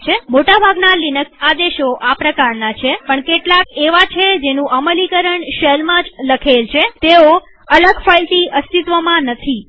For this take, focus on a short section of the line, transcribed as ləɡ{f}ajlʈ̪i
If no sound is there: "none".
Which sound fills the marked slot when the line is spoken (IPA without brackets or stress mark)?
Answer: f